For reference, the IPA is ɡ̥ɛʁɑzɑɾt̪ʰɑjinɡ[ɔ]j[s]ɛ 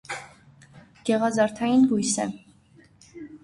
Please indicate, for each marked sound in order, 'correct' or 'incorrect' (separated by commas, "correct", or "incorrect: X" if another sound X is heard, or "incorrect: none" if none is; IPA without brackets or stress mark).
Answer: incorrect: u, correct